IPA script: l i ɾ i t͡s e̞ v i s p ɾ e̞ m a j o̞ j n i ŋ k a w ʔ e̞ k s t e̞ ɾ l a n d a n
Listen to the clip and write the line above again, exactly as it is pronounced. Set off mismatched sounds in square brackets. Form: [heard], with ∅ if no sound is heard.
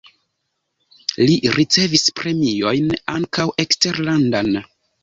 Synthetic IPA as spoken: l i ɾ i t͡s e̞ v i s p ɾ e̞ m [i] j o̞ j n [a] ŋ k a w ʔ e̞ k s t e̞ ɾ l a n d a n